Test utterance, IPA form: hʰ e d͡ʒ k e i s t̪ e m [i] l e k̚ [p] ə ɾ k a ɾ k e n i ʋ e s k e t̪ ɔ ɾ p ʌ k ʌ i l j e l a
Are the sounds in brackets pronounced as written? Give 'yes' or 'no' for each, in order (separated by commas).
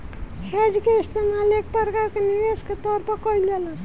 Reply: no, yes